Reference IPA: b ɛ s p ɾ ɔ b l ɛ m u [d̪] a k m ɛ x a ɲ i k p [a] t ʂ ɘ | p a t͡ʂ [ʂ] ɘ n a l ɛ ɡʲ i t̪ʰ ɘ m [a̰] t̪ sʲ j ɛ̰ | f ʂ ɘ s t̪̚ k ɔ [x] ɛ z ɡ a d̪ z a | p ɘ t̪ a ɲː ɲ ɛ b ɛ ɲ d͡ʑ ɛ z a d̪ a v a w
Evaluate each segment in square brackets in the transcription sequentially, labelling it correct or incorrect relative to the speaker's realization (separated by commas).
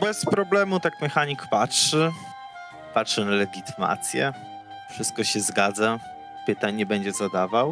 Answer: incorrect, correct, correct, correct, incorrect